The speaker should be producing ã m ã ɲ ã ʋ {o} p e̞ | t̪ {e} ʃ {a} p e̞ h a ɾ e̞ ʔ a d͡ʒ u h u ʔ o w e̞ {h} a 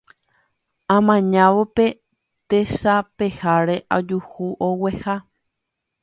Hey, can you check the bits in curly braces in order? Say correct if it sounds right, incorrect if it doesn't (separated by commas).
correct, correct, correct, correct